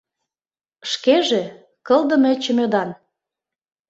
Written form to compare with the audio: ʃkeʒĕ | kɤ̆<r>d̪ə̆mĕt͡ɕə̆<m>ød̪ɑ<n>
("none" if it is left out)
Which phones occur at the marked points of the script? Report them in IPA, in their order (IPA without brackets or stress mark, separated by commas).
l, m, n